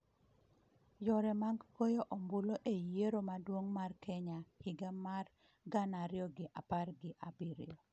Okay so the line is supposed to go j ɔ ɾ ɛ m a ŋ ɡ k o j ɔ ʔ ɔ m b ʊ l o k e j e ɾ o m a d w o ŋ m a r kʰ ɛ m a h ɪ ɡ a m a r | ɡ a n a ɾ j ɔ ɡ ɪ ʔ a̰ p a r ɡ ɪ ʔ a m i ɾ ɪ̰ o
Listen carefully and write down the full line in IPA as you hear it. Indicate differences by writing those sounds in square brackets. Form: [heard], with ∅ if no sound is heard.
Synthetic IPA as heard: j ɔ ɾ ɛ m a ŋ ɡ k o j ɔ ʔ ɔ m b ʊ l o [ʔ] e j e ɾ o m a d w o ŋ m a r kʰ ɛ [ɲ] a h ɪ ɡ a m a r | ɡ a n a ɾ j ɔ ɡ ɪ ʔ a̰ p a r ɡ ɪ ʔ a [b] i ɾ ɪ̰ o